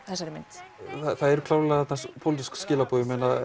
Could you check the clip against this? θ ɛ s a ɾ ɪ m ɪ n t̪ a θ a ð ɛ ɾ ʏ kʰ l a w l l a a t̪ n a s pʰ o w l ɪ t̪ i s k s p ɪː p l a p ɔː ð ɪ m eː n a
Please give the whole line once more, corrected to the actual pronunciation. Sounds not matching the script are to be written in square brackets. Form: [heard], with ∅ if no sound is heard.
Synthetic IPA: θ ɛ s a ɾ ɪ m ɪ n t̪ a θ a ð ɛ ɾ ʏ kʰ l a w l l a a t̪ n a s pʰ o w l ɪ t̪ i s k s [c] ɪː [∅] l a p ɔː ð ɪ m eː n a

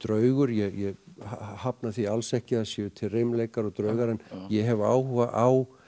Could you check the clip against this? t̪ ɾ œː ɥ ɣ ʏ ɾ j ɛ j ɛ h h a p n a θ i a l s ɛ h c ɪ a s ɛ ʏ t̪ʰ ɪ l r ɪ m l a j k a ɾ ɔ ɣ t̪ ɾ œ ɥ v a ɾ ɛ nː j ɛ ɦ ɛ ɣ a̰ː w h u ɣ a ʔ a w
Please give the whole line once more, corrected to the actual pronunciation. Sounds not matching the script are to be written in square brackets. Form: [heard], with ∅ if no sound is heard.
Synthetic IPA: t̪ ɾ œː ɥ ɣ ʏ ɾ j ɛ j ɛ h h a p n a θ i a l s ɛ h c ɪ a s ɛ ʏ t̪ʰ ɪ l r ɪ m l [e] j k a ɾ ɔ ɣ t̪ ɾ œ ɥ [ɣ] a ɾ ɛ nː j ɛ ɦ ɛ [v] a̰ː w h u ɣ a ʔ a w

